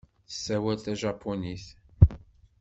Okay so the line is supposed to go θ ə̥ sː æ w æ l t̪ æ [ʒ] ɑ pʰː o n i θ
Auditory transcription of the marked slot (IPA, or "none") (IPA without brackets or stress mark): ʒ